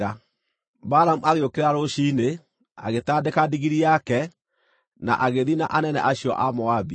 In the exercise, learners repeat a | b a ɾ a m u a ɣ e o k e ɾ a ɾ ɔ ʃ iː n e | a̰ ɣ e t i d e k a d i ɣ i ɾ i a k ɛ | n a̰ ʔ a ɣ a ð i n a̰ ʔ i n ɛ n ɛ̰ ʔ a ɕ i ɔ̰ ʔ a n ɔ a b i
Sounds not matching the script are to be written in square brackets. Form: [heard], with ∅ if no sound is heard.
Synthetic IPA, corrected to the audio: a | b a ɾ a m u a ɣ e o k e ɾ a ɾ [o] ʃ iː n e | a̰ ɣ e t [a] d e k a d i ɣ i ɾ i a k ɛ | n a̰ ʔ a ɣ [e] ð i n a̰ ʔ [a] n ɛ n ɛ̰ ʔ a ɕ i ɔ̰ ʔ a [m] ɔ a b i